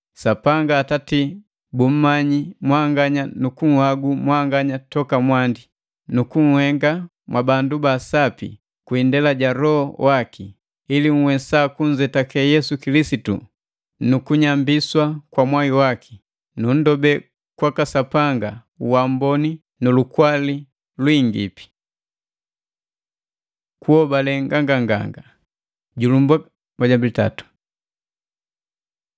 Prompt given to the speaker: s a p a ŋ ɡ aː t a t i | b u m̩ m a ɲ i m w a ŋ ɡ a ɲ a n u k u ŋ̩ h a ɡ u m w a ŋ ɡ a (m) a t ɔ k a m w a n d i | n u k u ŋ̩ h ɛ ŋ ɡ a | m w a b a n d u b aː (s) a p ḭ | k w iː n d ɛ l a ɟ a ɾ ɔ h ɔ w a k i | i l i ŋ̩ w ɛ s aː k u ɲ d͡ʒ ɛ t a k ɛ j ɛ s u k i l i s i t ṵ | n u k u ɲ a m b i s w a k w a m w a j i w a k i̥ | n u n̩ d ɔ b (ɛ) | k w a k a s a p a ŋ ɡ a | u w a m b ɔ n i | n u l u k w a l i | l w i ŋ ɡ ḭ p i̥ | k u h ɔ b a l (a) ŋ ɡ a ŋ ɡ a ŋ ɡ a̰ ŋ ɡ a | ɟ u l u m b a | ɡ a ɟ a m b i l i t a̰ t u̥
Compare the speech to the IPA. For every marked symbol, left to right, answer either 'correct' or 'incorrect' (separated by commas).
incorrect, correct, correct, incorrect